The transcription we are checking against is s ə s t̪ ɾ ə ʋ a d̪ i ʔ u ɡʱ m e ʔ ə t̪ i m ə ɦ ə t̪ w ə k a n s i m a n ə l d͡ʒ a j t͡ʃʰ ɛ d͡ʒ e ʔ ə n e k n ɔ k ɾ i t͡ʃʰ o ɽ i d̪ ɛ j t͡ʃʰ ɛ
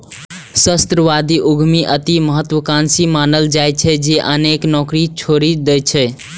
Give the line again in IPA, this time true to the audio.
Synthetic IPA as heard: s ə s t̪ ɾ ə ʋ a d̪ i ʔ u ɡʱ m i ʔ ə t̪ i m ə ɦ ə t̪ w ə k a n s i m a n ə l d͡ʒ a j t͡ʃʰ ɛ d͡ʒ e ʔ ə n e k n ɔ k ɾ i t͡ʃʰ o ɾ i d̪ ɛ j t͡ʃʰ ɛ

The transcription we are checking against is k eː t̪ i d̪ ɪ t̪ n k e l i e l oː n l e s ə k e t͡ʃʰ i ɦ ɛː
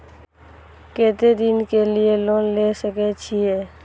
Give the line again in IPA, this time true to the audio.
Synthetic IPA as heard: k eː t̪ e d̪ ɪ n k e l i e l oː n l e s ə k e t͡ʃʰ i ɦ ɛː

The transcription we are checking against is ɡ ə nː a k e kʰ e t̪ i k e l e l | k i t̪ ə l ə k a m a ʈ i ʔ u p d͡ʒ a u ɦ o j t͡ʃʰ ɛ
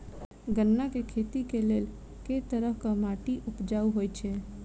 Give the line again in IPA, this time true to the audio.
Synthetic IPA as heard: ɡ ə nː a k e kʰ e t̪ i k e l e l | k e t̪ ə ɾ ə k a m a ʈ i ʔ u p d͡ʒ a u ɦ o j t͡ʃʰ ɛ

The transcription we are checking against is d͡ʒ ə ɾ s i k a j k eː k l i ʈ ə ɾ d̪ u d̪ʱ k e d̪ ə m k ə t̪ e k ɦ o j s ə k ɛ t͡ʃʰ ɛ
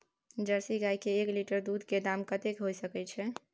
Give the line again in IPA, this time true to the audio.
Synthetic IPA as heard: d͡ʒ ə ɾ s i ɡ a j k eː k l i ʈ ə ɾ d̪ u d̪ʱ k e d̪ a m k ə t̪ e k ɦ o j s ə k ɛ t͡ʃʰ ɛ

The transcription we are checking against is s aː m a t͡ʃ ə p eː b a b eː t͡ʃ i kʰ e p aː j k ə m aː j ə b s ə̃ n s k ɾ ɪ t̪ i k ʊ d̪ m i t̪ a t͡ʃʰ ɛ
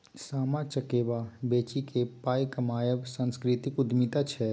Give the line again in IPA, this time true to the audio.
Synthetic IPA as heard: s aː m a t͡ʃ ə k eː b a b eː t͡ʃ i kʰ e p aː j k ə m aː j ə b s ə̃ n s k ɾ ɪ t̪ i k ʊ d̪ m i t̪ a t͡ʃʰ ɛ

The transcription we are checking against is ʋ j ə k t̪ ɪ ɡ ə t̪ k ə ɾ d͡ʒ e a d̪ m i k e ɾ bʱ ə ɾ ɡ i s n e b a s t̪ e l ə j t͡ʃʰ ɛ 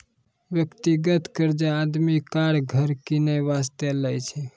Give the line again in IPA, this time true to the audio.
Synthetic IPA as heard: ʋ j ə k t̪ i ɡ ə t̪ k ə ɾ d͡ʒ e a d̪ m i k a ɾ ɡʱ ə ɾ k i n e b a s t̪ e l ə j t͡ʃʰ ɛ

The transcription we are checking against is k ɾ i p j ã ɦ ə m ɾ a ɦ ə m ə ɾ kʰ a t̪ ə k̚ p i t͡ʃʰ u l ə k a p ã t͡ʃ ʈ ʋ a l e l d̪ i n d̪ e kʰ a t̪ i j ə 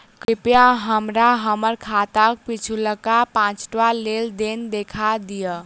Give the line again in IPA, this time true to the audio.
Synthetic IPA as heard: k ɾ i p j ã ɦ ə m ɾ a ɦ ə m ə ɾ kʰ a t̪ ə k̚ p i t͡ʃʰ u l ə k a p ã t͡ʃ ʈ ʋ a l e l d̪ e n d̪ e kʰ a d̪ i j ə

